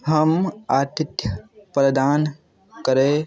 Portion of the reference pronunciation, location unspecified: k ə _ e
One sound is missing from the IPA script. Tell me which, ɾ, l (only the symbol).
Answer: ɾ